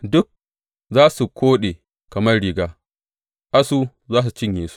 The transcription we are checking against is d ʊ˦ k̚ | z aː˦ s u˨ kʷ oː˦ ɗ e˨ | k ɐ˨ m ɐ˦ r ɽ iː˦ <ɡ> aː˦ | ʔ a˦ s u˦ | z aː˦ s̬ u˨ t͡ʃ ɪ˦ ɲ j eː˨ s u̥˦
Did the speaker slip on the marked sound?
no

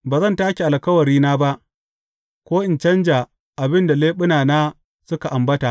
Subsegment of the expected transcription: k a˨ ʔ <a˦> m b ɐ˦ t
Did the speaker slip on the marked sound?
yes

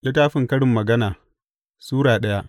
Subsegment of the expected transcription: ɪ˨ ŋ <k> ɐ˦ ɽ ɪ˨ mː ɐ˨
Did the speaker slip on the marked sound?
no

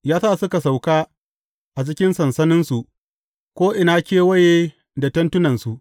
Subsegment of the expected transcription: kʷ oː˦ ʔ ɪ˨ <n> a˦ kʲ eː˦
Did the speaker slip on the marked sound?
no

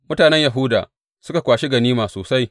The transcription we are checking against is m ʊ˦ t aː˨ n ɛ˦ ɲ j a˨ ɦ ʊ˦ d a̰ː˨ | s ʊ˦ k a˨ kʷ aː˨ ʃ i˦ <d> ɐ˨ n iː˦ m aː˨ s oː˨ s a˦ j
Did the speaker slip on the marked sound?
yes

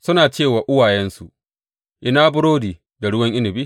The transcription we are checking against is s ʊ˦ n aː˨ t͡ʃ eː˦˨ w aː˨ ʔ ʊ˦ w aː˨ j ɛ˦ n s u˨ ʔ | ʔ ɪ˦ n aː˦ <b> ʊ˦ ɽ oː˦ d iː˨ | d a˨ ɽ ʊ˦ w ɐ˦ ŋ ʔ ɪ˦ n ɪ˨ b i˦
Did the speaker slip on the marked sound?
no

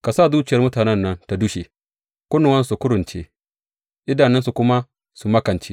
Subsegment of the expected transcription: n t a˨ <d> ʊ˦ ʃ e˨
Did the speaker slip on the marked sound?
no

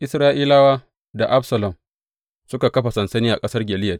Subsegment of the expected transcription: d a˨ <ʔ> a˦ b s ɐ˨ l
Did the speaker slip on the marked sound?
no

